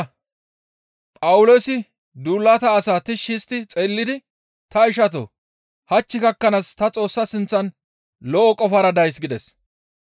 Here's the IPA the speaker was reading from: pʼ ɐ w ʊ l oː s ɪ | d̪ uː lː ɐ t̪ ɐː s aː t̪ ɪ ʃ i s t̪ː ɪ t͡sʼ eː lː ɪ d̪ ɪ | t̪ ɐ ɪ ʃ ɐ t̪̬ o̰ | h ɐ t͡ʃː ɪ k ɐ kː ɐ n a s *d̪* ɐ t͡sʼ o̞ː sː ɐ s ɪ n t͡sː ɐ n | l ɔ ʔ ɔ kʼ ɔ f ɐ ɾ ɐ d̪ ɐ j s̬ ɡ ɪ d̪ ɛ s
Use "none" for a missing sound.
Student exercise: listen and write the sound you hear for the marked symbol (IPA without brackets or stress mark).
t̪